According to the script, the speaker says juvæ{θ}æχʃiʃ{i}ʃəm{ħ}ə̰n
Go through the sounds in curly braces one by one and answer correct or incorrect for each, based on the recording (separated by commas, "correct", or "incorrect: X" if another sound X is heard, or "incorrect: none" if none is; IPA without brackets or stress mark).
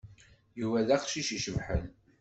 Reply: incorrect: ð, correct, correct